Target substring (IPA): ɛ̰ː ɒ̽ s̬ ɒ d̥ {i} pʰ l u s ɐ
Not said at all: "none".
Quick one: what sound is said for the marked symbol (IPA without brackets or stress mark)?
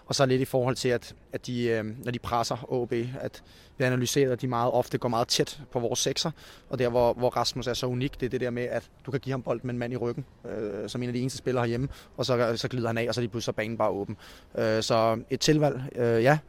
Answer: i